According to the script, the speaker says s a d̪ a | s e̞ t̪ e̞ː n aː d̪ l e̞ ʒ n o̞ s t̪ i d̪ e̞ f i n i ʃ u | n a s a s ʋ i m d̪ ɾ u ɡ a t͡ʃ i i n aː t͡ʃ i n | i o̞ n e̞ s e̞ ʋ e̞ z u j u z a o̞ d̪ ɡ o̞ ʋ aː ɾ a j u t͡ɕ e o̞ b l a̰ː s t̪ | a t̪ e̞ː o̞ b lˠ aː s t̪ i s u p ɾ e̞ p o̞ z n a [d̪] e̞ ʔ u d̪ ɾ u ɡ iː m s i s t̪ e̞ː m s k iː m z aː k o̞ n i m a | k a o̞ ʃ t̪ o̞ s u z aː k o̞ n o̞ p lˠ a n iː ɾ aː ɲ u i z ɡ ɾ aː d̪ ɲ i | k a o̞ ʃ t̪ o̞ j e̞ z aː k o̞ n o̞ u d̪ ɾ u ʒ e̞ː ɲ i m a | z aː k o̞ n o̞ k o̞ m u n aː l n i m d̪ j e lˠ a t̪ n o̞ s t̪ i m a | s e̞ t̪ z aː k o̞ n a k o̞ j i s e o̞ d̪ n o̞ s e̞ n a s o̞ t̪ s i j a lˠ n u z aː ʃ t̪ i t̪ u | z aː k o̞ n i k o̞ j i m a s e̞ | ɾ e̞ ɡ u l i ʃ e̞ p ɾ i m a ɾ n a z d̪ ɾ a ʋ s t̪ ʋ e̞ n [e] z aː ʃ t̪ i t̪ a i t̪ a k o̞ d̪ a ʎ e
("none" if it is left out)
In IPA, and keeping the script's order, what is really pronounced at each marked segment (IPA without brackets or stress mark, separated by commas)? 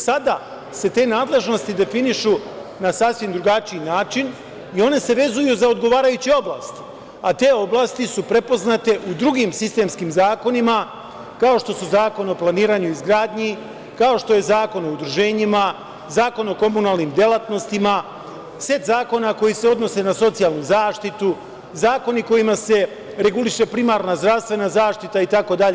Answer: t̪, a